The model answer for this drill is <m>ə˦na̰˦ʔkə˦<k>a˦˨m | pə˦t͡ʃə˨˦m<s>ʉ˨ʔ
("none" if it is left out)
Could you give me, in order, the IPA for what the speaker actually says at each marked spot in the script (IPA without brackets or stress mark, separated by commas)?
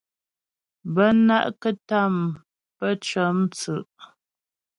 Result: b, t, t͡s